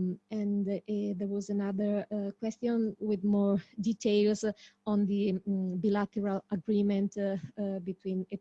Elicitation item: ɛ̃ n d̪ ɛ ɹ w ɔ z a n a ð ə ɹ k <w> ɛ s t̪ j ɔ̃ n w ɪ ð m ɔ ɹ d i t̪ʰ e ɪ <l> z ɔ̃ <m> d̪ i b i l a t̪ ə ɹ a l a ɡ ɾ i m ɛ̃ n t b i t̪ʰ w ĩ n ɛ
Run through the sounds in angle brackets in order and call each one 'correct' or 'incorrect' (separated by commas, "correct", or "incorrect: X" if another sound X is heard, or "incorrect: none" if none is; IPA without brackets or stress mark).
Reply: correct, correct, incorrect: n